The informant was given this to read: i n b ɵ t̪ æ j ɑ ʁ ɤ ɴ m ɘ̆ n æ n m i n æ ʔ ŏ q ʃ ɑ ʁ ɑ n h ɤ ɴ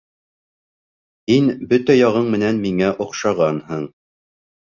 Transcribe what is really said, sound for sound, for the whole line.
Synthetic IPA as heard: i n b ɵ t̪ æ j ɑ ʁ ɤ ɴ m ɘ̆ n æ n m i ŋ æ ʔ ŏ q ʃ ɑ ʁ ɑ n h ɤ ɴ

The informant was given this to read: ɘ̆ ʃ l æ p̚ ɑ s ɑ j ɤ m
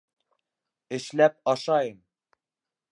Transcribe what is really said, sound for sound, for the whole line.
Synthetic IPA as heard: ɘ̆ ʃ l æ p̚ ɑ ʃ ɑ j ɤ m

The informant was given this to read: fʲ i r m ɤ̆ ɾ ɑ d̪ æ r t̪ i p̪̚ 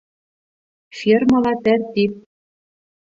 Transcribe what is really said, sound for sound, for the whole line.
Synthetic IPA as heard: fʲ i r m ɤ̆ l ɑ t̪ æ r t̪ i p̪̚

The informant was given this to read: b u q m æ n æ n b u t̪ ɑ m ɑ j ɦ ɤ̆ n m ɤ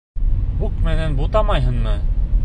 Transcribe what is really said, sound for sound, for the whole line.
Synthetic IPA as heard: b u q m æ n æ n b u t̪ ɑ m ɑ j ɦ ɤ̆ n m ɤ

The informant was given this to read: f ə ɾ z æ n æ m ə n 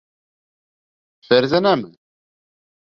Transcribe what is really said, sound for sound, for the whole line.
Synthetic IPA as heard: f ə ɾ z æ n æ m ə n

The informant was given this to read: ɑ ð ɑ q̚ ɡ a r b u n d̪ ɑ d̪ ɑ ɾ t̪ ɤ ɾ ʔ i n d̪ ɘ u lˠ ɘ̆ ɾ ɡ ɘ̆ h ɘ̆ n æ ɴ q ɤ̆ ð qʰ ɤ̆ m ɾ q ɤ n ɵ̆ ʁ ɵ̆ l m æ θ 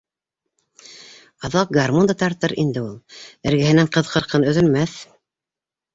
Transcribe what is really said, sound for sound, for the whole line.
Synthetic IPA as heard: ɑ ð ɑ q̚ ɡ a r m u n d̪ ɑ t̪ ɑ ɾ t̪ ɤ ɾ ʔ i n d̪ ɘ u lˠ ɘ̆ ɾ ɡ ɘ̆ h ɘ̆ n æ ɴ q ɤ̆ ð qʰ ɤ̆ ɾ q ɤ n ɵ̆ ð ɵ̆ l m æ θ

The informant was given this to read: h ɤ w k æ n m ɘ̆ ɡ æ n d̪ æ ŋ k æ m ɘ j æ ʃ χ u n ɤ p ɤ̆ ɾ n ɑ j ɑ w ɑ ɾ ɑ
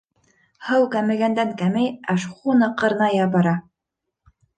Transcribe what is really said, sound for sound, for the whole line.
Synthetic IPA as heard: h ɤ w k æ m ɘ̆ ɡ æ n d̪ æ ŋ k æ m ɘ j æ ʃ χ u n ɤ q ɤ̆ ɾ n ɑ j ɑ b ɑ ɾ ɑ

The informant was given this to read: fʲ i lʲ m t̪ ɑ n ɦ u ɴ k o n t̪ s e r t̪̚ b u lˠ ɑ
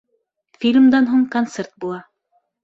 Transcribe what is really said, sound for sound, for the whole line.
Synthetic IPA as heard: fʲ i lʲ m d̪ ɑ n ɦ u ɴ k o n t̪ s e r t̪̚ b u lˠ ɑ

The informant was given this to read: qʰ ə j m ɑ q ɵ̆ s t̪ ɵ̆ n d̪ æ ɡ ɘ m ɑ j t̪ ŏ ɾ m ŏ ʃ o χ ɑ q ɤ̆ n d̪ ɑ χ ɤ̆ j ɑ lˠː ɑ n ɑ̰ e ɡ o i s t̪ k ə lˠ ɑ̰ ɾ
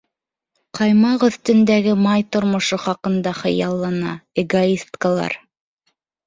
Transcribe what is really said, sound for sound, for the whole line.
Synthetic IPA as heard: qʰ ɑ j m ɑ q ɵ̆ θ t̪ ɵ̆ n d̪ æ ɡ ɘ m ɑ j t̪ ŏ ɾ m ŏ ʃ o χ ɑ q ɤ̆ n d̪ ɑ χ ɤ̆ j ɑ lˠː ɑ n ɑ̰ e ɡ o i s t̪ k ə lˠ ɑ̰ ɾ

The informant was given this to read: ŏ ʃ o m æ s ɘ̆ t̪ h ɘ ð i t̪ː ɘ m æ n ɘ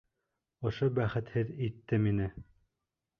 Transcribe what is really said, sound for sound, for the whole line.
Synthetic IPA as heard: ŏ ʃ o b æ χ ɘ̆ t̪ h ɘ ð i t̪ː ɘ m i n ɘ

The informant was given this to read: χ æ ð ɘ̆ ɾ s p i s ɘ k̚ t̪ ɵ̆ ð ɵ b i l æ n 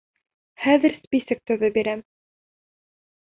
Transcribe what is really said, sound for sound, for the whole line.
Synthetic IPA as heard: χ æ ð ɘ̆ ɾ s p i s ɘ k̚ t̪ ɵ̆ ð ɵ b i ɾ æ m

